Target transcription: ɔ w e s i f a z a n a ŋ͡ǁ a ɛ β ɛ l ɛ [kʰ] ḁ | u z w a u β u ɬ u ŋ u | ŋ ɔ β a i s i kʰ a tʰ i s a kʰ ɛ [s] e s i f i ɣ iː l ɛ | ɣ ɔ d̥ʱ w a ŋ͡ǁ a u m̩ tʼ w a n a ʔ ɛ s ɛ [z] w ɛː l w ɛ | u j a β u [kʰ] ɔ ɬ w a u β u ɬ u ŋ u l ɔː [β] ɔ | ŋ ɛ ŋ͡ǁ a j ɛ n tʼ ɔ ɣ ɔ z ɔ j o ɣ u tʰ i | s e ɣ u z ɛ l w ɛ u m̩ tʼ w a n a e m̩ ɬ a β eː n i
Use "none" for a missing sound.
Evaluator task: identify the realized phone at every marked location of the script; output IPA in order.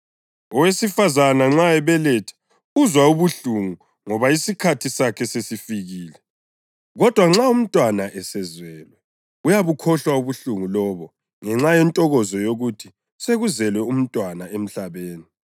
tʰ, s, z, kʰ, β

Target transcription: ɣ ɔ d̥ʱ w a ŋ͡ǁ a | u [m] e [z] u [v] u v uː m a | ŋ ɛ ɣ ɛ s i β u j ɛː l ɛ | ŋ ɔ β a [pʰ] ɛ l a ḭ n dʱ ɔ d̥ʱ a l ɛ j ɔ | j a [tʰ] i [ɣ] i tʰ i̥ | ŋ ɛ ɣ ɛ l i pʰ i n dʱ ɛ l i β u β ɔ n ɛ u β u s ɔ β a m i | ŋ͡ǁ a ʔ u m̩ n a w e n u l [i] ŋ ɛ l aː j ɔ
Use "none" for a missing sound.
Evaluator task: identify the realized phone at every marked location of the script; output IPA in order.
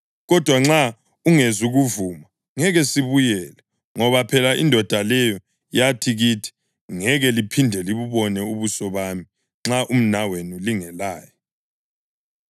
ŋ, z, ɣ, pʰ, tʰ, ɣ, i

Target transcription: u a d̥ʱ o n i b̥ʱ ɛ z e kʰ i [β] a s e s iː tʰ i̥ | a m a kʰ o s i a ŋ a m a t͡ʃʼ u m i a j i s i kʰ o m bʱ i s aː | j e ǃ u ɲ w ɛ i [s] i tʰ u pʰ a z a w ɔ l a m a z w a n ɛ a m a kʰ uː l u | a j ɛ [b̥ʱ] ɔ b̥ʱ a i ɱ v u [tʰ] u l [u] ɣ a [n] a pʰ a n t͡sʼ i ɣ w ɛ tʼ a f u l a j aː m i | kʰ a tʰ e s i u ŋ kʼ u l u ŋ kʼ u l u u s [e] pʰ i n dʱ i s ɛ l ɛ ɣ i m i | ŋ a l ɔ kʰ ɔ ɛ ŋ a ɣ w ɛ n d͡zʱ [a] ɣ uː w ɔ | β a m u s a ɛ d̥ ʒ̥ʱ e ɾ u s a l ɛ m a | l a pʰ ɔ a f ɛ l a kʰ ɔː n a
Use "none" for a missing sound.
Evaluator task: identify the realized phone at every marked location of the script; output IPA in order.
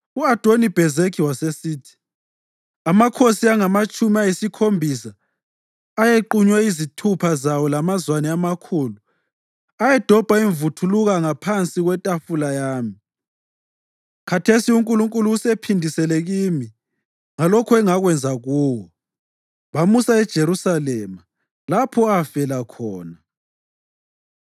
w, z, d̥ʱ, tʰ, u, ŋ, e, a

